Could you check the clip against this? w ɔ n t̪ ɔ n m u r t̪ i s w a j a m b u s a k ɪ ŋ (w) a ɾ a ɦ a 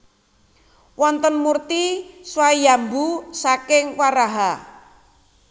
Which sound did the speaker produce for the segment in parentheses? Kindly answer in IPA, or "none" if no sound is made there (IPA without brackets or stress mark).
w